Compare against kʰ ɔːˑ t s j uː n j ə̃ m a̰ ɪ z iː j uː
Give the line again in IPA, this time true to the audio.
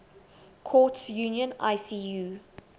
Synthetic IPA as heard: kʰ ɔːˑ t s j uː n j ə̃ n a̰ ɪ s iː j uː